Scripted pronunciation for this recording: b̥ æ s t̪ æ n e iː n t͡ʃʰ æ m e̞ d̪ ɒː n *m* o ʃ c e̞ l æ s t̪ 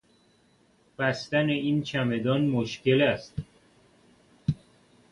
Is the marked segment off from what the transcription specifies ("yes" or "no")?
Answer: no